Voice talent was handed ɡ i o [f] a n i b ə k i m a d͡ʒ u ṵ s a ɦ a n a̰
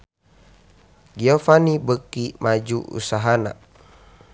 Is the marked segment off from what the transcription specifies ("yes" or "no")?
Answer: no